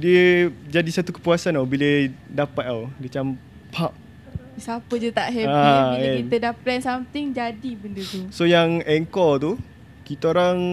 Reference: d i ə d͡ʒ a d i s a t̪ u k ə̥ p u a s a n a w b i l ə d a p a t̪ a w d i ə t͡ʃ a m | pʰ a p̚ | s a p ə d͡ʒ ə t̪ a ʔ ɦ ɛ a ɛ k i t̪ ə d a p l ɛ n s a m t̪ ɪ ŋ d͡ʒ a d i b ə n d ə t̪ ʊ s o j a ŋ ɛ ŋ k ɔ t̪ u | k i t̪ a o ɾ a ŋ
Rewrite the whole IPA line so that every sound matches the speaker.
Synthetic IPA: d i ə d͡ʒ a d i s a t̪ u k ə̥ p u a s a n a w b i l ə d a p a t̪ a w d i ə t͡ʃ a m | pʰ a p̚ | s a p ə d͡ʒ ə t̪ a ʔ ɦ ɛ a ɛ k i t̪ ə d a p l ɛ n s a m t̪ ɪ ŋ d͡ʒ a d i b ə n d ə t̪ u s o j a ŋ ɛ ŋ k ɔ t̪ u | k i t̪ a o ɾ a ŋ